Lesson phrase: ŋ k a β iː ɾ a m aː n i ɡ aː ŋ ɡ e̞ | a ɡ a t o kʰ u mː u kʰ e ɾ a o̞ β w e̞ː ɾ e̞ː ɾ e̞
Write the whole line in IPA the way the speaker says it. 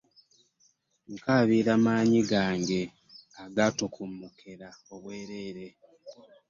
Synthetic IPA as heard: ŋ k a β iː ɾ a m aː ɲ i ɡ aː ŋ ɡ e̞ | a ɡ a t o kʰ u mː u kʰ e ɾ a o̞ β w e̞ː ɾ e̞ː ɾ e̞